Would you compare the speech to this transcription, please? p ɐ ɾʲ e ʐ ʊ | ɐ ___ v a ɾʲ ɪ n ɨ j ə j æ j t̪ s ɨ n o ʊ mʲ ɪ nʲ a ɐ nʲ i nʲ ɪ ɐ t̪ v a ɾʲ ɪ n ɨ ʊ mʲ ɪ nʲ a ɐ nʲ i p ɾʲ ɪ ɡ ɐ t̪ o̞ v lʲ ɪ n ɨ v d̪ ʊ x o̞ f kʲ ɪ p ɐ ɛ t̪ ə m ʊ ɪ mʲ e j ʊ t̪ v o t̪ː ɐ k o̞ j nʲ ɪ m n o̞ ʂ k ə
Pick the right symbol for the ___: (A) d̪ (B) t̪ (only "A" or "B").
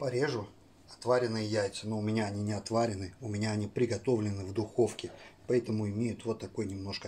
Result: B